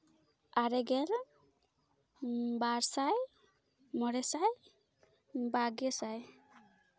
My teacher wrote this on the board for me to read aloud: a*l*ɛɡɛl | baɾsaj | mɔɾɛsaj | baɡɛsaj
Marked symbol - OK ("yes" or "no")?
no